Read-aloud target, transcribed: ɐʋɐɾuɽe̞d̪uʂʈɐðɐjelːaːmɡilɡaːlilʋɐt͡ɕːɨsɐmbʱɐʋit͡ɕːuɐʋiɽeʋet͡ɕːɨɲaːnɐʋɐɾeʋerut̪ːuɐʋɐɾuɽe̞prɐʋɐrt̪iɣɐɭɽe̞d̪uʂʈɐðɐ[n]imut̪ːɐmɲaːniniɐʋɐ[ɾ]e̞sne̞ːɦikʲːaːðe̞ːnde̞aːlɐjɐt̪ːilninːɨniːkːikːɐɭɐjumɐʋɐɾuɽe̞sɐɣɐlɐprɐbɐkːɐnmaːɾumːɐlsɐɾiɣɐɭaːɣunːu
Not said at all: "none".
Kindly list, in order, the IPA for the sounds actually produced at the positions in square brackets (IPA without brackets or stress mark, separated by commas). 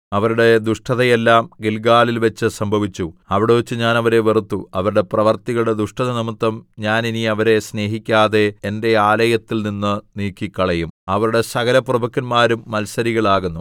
n, ɾ